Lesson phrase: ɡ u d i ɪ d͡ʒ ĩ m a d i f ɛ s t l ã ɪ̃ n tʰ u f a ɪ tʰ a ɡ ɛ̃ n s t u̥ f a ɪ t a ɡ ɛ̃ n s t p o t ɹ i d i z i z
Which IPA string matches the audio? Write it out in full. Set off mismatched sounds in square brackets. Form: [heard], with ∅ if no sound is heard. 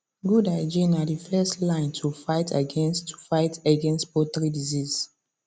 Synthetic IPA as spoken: ɡ u d [a] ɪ d͡ʒ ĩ [n] a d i f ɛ s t l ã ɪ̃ n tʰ u f a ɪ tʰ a ɡ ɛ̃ n s t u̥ f a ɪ t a ɡ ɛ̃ n s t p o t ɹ i d i z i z

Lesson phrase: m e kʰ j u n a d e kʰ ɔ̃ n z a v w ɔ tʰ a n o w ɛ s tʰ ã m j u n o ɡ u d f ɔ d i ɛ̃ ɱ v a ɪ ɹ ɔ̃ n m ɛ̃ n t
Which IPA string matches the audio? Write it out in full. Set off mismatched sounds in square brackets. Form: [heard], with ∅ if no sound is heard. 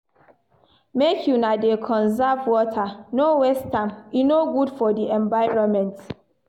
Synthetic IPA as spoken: m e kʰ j u n a d e kʰ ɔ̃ n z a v w ɔ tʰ a n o w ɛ s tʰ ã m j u n o ɡ u d f ɔ d i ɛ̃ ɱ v a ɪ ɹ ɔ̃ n m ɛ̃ n t

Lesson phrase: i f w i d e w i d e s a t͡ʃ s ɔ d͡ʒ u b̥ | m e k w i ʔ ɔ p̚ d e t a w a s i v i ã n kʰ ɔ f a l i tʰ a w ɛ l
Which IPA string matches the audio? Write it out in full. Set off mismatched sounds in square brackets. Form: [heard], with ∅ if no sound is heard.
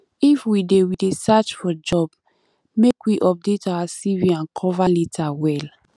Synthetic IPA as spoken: i f w i d e w i d e s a t͡ʃ [f] ɔ d͡ʒ [ɔ] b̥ | m e k w i ʔ ɔ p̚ d e t a w a s i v i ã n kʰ ɔ [v] a l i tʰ a w ɛ l

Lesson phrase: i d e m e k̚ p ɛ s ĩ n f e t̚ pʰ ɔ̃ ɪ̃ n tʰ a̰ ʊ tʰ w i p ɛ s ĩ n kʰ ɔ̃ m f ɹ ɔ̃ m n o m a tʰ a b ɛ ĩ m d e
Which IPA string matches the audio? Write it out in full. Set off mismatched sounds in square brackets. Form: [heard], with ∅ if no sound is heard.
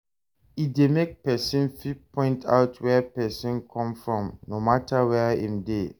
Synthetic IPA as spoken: i d e m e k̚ p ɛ s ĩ n f [i] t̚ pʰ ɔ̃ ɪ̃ n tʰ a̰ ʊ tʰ w [ɛ] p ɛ s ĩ n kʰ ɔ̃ m f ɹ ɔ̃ m n o m a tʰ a [w] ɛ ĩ m d e

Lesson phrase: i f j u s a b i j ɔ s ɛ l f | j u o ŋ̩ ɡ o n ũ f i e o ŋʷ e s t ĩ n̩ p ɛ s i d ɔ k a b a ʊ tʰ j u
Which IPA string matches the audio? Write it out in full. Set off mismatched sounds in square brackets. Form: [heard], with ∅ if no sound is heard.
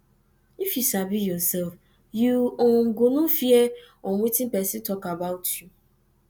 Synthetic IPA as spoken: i f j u s a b i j ɔ s ɛ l f | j u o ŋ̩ ɡ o n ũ f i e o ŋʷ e [∅] t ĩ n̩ p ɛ s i [t] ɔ k a b a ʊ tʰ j u

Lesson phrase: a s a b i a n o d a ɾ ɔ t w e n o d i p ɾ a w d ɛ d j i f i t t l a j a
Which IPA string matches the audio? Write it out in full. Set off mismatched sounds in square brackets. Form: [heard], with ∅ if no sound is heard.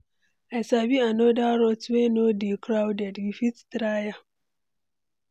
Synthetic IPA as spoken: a s a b i a n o d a ɾ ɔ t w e n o d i [k] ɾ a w d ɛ d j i f i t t [ɾ] a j a

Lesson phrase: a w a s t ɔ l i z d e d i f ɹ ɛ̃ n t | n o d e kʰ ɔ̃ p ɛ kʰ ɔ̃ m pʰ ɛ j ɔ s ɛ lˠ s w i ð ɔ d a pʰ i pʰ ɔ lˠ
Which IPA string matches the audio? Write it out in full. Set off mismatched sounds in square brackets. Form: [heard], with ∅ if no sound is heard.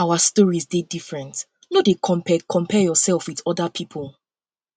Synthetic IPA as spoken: a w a s t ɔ [ɹ] i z d e d i f ɹ ɛ̃ n t | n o d e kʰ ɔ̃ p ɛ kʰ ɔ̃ m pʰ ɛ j ɔ s ɛ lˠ [f] w i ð ɔ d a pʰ i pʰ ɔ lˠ

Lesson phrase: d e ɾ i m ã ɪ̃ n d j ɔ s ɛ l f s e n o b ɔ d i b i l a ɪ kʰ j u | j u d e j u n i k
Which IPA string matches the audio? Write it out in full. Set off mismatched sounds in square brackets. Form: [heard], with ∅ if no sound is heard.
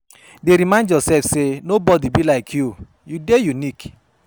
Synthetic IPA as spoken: d e ɾ i m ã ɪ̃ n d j ɔ s ɛ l f s e n o b ɔ d i b i l a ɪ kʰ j u | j u d e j u n i k

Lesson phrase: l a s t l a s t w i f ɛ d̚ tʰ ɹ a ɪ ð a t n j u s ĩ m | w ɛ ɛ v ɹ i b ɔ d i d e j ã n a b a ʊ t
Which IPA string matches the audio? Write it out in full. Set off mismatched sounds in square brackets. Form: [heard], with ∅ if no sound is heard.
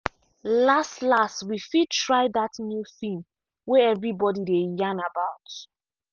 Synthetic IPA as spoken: l a s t l a s t w i f [i] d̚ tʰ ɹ a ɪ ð a t n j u [θ] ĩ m | w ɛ ɛ v ɹ i b ɔ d i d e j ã n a b a ʊ t

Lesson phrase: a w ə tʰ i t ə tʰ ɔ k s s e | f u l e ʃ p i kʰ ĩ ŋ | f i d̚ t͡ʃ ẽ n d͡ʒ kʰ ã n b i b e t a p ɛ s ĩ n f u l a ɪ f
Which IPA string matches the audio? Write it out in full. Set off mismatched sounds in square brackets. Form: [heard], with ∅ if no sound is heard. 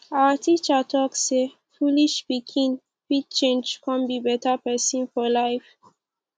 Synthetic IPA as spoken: a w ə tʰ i [t͡ʃ] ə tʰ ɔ k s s e | f u l [i] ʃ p i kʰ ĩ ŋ | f i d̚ t͡ʃ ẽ n d͡ʒ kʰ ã n b i b [ɛ] t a p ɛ s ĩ n f [ɔ] l a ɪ f

